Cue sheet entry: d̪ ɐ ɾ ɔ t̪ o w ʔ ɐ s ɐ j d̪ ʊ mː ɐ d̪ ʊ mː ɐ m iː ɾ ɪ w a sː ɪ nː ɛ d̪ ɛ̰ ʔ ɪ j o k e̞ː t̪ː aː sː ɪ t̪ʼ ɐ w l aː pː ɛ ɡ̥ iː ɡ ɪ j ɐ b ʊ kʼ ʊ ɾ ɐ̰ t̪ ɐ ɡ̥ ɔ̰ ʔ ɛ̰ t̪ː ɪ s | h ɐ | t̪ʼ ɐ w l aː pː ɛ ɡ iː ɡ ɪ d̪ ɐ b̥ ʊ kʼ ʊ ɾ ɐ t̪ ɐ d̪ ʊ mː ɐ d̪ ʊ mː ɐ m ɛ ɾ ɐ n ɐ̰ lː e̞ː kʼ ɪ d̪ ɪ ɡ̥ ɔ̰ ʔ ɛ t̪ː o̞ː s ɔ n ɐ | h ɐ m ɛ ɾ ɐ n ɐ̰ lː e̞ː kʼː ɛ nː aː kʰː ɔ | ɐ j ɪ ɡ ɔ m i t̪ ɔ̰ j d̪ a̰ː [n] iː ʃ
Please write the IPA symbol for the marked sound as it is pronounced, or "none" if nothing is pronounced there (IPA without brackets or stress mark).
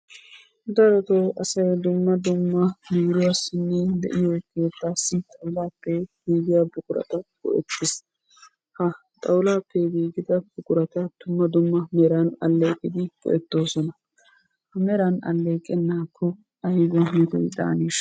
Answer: n